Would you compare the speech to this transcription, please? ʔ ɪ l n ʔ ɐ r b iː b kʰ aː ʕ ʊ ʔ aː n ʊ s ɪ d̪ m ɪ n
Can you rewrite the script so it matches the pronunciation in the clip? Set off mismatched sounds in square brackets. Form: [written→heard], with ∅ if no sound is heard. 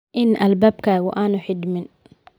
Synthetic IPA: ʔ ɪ [l→∅] n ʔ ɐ [r→l] b [iː→aː] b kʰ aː [ʕ→ɣ] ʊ ʔ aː n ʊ [s→ħ] ɪ d̪ m ɪ n